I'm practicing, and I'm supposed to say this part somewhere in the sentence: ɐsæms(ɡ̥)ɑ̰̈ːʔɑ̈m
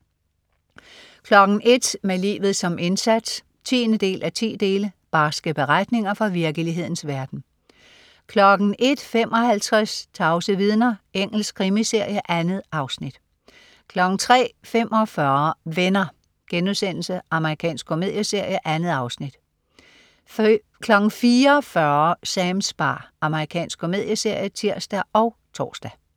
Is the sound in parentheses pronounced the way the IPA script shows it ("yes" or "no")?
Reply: no